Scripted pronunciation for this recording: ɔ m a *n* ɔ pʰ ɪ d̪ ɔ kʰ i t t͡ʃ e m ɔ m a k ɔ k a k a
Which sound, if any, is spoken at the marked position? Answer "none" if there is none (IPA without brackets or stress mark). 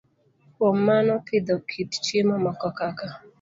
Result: n